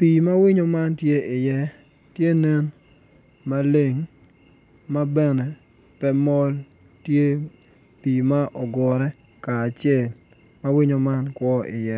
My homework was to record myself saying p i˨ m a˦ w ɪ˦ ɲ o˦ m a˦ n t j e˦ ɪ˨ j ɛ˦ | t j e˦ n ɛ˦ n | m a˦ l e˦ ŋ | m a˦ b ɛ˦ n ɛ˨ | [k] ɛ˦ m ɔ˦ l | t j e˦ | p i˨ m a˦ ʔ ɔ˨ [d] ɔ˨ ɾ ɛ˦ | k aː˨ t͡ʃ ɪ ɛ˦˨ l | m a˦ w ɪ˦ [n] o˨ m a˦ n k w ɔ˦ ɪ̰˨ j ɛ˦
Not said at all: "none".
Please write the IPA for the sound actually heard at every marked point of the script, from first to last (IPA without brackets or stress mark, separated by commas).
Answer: p, ɡ, ɲ